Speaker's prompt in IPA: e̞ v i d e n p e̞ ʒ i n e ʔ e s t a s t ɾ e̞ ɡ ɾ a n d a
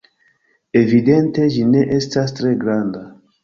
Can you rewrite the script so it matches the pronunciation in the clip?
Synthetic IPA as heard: e̞ v i d e n t e̞ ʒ i n e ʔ e s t a s t ɾ e̞ ɡ ɾ a n d a